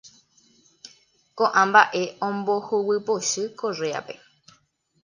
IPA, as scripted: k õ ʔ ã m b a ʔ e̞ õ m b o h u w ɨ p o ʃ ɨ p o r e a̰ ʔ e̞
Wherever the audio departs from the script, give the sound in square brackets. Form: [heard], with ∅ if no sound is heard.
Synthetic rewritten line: k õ ʔ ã m b a ʔ e̞ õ m b o h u w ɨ p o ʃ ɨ [k] o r e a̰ [p] e̞